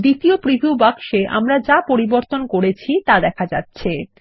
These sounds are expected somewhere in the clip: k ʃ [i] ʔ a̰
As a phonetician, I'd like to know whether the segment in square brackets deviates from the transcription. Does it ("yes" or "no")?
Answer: yes